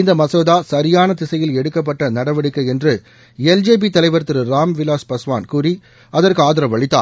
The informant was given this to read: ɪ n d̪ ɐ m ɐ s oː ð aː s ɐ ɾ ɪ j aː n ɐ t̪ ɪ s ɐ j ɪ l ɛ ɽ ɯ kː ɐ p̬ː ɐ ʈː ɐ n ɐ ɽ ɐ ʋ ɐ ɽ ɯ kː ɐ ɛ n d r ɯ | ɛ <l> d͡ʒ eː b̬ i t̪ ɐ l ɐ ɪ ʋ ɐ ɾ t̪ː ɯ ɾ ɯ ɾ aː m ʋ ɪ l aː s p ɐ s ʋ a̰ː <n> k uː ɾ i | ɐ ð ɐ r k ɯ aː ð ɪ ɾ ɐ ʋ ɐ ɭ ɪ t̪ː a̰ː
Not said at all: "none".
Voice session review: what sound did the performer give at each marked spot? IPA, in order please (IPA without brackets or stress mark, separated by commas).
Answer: l, n